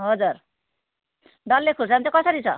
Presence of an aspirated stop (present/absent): present